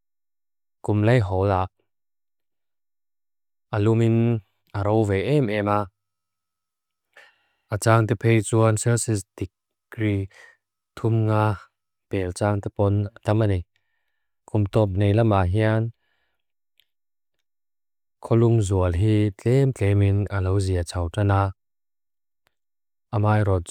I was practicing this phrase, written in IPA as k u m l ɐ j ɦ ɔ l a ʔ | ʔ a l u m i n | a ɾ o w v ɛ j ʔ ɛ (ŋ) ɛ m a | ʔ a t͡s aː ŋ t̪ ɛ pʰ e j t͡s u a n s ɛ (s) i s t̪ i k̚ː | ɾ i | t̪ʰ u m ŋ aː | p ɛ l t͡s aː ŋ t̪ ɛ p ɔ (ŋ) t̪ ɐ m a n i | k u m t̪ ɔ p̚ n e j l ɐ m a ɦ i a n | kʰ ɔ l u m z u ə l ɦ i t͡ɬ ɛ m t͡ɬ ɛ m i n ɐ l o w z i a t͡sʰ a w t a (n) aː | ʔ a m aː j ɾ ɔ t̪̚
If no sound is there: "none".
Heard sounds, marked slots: m, s, n, n

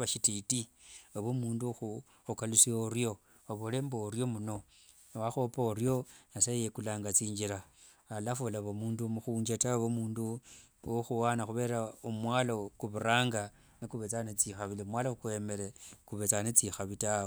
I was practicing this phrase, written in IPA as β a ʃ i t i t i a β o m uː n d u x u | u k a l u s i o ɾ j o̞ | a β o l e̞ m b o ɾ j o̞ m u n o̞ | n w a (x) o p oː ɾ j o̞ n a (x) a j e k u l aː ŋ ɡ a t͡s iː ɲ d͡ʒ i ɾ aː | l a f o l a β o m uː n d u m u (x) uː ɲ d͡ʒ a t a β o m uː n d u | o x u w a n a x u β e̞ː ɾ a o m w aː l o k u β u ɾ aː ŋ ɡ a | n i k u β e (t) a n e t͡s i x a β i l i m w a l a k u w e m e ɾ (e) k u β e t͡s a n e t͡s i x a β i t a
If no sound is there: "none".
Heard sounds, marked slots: x, s, x, t͡s, e

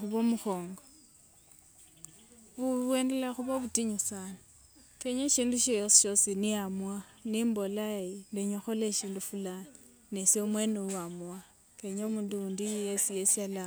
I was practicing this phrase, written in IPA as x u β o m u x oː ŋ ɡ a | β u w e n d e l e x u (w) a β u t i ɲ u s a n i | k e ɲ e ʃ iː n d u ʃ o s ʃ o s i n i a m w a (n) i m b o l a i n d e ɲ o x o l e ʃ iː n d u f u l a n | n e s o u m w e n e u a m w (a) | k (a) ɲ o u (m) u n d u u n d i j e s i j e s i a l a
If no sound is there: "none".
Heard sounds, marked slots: β, n, a, e, m

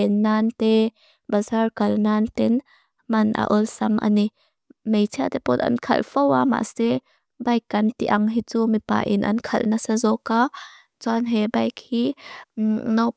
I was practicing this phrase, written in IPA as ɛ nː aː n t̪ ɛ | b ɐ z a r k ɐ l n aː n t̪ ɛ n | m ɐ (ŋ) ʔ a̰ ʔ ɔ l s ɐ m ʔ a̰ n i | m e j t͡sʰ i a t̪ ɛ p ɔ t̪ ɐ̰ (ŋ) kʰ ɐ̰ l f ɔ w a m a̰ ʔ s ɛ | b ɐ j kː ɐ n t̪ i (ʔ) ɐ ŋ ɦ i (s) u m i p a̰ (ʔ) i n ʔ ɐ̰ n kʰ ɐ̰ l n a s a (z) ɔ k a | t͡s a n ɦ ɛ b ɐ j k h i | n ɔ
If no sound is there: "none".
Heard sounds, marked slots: n, n, ʔ, t͡s, ʔ, z

